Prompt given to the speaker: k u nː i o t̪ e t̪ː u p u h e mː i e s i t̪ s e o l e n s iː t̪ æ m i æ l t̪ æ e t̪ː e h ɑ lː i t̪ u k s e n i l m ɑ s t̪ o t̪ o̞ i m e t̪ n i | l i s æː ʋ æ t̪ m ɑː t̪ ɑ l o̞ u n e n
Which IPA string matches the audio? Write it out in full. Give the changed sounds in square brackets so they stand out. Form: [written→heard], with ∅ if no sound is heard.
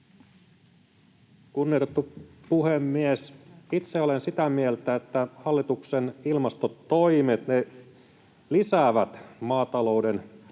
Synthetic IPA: k u nː i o t̪ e t̪ː u p u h e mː i e s i t̪ s e o l e n s [iː→i] t̪ æ m i [æ→e] l t̪ æ e t̪ː [e→æ] h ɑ lː i t̪ u k s e n i l m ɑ s t̪ o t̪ o̞ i m e t̪ n [i→e] | l i s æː ʋ æ t̪ m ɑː t̪ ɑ l o̞ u [n→d] e n

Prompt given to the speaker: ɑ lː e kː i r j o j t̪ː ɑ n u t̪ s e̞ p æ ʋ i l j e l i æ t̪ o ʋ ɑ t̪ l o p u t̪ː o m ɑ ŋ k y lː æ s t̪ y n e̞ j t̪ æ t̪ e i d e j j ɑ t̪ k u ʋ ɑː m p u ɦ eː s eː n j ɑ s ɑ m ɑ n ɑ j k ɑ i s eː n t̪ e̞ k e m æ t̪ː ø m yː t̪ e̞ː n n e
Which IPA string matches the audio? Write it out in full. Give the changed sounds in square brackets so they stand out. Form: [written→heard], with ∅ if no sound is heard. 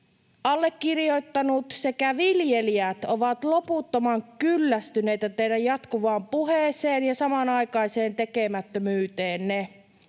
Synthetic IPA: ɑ lː e kː i r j o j t̪ː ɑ n u t̪ s e̞ [p→k] æ ʋ i l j e l i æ t̪ o ʋ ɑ t̪ l o p u t̪ː o m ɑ ŋ k y lː æ s t̪ y n e̞ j t̪ æ t̪ e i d [e→æ] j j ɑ t̪ k u ʋ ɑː m p u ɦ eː s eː n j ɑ s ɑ m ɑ n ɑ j k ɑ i s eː n t̪ e̞ k e m æ t̪ː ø m yː t̪ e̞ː n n e

